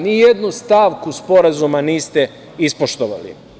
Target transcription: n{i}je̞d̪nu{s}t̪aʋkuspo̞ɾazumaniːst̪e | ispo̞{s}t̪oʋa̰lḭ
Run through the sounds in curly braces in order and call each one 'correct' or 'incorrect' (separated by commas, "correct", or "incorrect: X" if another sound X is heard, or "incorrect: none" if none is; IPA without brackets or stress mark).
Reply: correct, correct, incorrect: ʃ